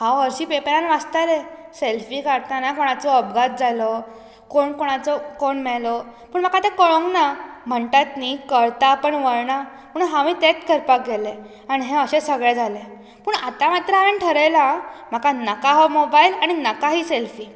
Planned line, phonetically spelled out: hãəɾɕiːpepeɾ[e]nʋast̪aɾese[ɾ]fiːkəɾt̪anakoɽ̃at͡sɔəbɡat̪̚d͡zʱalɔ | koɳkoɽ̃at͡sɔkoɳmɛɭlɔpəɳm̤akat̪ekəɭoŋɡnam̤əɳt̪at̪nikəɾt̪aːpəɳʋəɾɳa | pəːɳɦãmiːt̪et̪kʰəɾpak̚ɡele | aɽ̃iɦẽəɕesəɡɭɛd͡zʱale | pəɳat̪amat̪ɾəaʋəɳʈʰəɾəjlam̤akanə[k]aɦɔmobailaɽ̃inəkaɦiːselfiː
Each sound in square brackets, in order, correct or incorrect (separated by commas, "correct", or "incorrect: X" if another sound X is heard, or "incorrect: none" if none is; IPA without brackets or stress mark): incorrect: a, incorrect: l, correct